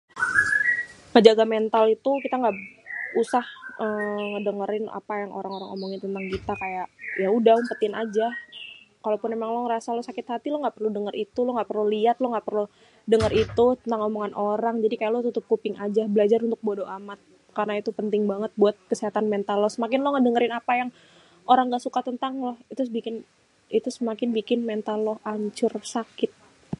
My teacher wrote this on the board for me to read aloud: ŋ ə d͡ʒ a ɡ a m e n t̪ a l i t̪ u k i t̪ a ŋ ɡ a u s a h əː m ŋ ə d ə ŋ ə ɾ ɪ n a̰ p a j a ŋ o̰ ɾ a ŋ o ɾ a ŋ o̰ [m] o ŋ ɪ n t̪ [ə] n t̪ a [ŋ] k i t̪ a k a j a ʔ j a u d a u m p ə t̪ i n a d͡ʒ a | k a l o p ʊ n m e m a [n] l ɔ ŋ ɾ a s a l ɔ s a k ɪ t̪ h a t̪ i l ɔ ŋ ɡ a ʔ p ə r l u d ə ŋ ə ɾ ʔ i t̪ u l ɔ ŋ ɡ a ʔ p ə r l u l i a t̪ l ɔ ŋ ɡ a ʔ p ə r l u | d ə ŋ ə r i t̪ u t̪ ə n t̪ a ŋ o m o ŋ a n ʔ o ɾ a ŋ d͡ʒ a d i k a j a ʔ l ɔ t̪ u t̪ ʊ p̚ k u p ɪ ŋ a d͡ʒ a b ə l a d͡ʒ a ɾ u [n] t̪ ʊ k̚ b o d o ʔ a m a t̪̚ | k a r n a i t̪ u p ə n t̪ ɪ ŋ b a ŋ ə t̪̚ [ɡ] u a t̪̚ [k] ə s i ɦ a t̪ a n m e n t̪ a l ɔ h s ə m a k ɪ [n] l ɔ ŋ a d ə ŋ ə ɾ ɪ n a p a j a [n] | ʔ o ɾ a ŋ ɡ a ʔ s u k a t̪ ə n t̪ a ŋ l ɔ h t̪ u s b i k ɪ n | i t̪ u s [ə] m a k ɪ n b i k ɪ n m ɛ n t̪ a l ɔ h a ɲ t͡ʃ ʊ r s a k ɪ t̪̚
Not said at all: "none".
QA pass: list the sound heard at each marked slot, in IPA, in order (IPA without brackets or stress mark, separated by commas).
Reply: m, ə, ŋ, ŋ, n, b, k, n, ŋ, ə